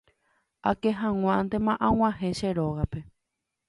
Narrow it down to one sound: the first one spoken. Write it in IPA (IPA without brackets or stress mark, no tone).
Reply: a